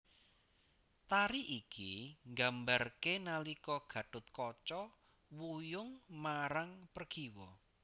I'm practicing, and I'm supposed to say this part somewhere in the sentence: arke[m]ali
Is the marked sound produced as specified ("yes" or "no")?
no